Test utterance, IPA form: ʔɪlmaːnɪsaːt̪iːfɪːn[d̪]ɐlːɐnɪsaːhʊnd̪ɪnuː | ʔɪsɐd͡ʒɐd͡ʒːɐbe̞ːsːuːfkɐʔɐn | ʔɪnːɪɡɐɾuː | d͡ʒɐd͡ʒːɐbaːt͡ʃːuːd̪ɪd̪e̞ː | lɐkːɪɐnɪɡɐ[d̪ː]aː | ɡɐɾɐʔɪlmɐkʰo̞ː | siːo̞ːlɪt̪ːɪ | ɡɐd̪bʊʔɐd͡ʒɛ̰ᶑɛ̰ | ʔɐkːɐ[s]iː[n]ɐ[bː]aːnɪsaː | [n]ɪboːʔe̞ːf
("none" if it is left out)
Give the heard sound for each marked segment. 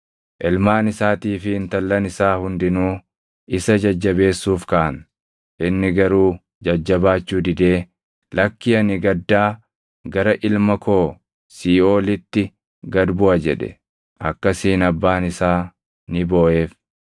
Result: t̪, d̪ː, s, n, bː, n

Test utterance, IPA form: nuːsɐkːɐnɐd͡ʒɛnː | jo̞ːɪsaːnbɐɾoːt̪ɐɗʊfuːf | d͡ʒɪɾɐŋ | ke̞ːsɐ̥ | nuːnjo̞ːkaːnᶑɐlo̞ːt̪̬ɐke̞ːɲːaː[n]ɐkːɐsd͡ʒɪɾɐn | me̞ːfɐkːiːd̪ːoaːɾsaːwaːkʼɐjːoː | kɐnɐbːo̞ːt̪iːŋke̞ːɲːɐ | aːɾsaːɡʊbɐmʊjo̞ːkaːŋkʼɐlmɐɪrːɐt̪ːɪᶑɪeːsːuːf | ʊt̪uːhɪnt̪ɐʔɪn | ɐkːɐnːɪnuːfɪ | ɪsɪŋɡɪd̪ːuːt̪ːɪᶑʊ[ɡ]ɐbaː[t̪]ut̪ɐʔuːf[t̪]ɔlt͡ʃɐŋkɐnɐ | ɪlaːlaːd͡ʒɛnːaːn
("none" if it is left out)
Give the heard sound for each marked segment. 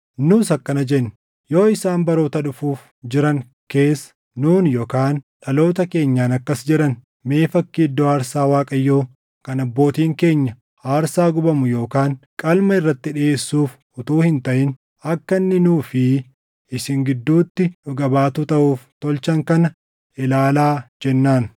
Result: n, ɡ, t̪, t̪

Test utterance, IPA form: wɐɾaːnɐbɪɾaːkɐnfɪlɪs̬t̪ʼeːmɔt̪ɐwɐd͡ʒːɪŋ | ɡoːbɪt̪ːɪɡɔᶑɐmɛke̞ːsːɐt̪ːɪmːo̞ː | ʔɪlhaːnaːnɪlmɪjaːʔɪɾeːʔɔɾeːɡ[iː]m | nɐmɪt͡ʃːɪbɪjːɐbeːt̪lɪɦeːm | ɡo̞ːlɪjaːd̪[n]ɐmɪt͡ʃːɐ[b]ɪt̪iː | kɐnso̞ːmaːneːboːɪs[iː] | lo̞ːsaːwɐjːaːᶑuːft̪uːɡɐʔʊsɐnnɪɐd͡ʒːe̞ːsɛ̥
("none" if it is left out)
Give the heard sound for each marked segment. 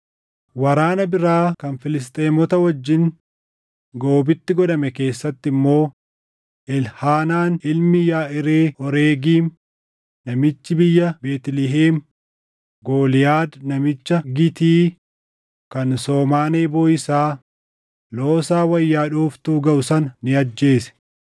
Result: iː, n, ɡ, aː

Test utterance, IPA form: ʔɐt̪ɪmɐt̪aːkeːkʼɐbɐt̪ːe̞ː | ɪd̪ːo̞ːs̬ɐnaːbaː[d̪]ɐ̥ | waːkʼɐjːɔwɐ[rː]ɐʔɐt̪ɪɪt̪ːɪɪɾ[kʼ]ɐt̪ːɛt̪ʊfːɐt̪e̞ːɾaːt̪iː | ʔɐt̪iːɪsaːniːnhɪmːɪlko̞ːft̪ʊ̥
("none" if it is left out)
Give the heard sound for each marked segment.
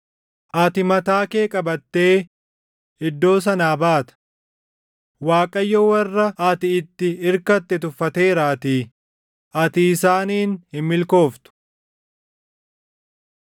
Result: t̪, rː, k

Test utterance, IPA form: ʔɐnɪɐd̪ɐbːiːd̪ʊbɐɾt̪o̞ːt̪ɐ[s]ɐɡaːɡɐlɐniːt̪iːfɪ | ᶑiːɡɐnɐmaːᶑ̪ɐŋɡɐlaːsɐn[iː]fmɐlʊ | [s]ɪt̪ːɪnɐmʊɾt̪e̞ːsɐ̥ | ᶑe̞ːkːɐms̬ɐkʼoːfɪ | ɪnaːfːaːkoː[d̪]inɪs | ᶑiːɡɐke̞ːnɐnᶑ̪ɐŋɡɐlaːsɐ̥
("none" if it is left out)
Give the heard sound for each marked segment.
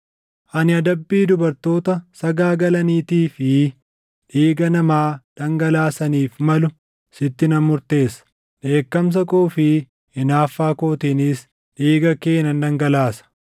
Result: s, iː, s, t̪

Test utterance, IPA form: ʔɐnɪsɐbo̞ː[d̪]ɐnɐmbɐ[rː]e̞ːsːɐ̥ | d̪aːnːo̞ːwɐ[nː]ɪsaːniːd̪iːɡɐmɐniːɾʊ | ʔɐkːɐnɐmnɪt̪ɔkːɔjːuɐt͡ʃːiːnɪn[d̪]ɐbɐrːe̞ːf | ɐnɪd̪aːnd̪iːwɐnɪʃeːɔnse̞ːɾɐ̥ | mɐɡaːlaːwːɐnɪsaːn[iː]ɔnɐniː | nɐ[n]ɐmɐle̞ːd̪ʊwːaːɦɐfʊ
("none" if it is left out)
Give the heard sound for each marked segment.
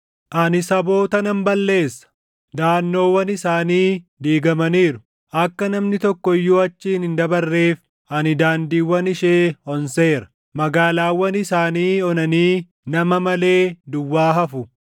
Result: t̪, lː, n, d̪, iː, m

